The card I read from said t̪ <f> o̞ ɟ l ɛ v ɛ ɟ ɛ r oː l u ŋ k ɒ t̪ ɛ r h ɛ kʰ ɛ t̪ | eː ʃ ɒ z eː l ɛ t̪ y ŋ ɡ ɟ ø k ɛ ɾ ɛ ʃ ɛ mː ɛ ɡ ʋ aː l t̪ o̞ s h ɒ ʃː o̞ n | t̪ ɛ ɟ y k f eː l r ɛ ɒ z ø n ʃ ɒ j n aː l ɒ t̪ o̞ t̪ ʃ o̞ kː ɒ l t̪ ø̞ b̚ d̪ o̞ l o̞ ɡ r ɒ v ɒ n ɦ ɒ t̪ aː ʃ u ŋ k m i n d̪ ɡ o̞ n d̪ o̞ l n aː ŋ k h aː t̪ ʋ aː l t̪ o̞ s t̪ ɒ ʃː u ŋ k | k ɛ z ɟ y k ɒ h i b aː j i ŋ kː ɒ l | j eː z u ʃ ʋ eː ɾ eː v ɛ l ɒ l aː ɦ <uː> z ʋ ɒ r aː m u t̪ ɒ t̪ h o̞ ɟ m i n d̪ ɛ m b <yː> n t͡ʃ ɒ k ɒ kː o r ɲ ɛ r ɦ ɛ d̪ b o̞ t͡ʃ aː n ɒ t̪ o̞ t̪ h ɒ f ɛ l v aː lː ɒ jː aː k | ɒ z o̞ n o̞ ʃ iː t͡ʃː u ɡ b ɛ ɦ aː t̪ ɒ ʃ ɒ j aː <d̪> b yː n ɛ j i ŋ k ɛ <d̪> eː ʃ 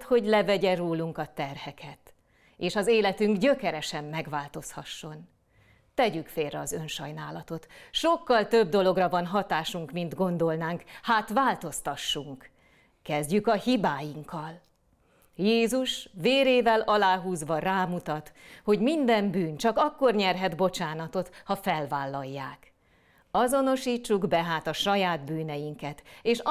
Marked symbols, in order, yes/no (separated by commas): no, yes, yes, yes, no